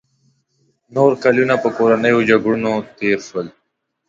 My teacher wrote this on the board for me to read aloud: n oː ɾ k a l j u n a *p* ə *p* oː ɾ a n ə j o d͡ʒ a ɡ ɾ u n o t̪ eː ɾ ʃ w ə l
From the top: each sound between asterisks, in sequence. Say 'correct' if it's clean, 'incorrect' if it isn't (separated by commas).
correct, incorrect